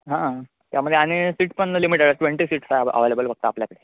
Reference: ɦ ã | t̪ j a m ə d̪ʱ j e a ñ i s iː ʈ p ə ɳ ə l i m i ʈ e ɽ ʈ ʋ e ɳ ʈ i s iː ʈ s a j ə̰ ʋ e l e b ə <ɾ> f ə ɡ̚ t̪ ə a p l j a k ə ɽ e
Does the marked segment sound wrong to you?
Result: yes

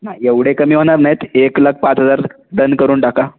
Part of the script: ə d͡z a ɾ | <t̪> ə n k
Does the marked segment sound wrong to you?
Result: yes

